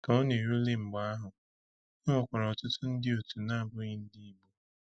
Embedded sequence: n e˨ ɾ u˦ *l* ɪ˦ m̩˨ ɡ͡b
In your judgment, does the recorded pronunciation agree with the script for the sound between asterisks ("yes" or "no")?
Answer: yes